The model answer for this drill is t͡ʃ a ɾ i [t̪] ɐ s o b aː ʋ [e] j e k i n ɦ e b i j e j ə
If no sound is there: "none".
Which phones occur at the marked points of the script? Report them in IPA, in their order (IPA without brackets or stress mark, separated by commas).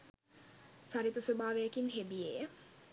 t̪, e